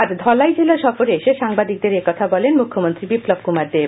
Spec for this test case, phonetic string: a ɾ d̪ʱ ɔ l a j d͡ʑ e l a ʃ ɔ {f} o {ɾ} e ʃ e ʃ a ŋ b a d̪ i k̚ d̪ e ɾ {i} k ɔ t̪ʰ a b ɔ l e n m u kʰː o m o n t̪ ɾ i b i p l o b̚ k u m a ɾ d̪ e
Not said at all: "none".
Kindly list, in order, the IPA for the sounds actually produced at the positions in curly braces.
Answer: f, ɾ, e

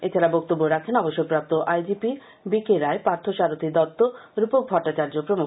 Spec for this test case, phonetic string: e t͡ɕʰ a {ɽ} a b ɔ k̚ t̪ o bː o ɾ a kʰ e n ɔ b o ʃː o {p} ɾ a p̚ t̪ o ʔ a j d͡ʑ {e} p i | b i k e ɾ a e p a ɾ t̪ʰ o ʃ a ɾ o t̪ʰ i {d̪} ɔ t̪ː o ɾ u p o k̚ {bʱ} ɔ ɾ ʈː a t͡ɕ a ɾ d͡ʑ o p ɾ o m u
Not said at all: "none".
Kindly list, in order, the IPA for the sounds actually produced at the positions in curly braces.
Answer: ɾ, p, i, d̪, bʱ

